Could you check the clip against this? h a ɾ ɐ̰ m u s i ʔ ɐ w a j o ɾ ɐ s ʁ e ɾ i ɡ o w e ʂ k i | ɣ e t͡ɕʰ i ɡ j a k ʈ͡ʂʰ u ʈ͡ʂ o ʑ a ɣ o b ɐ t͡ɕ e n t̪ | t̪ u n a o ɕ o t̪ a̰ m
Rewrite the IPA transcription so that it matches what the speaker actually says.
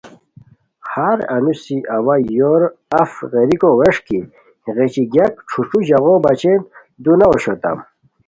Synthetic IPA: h a ɾ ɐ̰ n u s i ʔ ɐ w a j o ɾ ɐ f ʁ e ɾ i k o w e ʂ k i | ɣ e t͡ɕ i ɡ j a k ʈ͡ʂʰ u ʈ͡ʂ u ʑ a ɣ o b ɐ t͡ɕ e n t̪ | d̪ u n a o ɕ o t̪ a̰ m